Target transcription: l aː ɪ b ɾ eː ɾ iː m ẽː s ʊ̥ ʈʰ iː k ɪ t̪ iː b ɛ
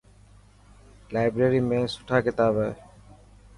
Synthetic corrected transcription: l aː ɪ b ɾ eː ɾ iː m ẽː s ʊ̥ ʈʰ aː k ɪ t̪ aː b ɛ